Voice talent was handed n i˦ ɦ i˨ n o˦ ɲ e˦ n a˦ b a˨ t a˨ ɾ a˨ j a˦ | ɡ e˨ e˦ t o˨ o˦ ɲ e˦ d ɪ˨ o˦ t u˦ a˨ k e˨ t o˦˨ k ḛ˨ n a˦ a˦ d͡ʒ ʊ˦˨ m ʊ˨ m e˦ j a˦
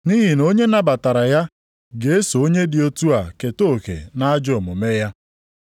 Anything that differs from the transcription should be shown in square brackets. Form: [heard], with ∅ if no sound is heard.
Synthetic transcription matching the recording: n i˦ ɦ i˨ n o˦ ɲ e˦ n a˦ b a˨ t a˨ ɾ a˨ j a˦ | ɡ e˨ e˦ [s] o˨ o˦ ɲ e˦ d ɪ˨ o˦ t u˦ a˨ k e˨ t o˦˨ k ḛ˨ n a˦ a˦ d͡ʒ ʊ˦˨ m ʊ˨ m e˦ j a˦